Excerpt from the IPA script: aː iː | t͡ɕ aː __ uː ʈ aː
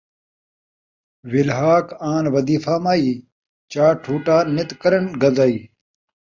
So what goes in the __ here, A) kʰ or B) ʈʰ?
B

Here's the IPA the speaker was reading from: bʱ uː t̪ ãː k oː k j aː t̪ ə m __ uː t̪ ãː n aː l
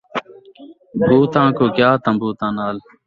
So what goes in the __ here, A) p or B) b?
B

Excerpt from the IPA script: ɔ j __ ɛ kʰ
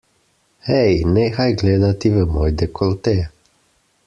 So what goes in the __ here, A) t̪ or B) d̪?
B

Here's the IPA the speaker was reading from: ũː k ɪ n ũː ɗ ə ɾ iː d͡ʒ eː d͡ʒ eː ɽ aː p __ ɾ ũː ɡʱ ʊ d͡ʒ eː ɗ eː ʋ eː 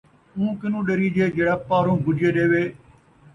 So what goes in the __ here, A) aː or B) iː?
A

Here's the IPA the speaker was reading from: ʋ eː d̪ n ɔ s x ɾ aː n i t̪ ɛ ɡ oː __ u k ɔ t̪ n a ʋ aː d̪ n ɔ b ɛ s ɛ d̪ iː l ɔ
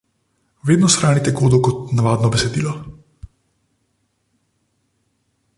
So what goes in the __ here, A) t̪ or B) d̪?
B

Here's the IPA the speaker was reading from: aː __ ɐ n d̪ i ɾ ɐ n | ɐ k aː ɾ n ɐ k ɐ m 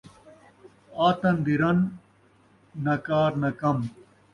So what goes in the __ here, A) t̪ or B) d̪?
A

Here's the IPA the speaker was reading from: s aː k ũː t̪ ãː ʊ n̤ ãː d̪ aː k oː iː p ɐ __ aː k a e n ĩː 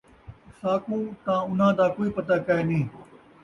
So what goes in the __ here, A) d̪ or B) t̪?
B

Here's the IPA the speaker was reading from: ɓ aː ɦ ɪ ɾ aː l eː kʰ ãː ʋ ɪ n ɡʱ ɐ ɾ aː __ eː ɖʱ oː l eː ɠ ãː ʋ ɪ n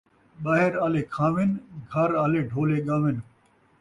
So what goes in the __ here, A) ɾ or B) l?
B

